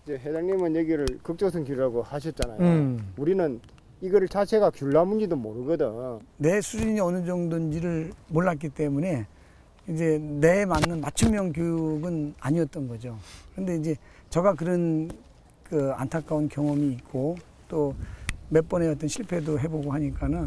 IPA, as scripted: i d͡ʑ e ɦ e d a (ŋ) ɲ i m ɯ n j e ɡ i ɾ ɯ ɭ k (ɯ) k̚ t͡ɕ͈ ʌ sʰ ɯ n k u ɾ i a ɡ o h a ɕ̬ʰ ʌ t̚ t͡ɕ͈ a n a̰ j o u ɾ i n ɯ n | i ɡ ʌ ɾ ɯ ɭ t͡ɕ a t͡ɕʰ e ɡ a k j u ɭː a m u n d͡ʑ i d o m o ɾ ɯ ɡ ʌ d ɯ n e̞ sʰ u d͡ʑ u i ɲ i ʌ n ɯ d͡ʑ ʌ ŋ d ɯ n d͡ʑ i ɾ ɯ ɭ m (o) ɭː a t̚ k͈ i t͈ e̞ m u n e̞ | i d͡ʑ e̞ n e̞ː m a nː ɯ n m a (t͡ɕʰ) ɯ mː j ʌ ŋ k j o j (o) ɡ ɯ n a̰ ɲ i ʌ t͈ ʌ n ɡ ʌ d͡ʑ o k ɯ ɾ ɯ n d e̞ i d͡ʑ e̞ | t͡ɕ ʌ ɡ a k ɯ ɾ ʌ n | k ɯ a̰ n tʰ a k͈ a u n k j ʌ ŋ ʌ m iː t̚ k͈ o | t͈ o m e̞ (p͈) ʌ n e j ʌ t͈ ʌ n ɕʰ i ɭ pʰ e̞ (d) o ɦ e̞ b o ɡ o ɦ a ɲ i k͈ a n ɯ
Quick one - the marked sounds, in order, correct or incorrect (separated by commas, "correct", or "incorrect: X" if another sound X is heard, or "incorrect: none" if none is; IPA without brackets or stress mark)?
correct, correct, correct, correct, incorrect: u, correct, correct